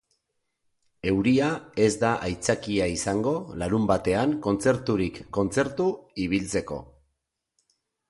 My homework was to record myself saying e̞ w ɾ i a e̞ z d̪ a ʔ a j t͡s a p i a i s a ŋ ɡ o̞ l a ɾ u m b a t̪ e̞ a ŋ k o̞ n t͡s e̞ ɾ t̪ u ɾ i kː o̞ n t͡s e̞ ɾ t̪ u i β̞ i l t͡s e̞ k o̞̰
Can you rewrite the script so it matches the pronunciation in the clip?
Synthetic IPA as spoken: e̞ w ɾ i a e̞ z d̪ a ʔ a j t͡s a k i a i s a ŋ ɡ o̞ l a ɾ u m b a t̪ e̞ a ŋ k o̞ n t͡s e̞ ɾ t̪ u ɾ i kː o̞ n t͡s e̞ ɾ t̪ u i β̞ i l t͡s e̞ k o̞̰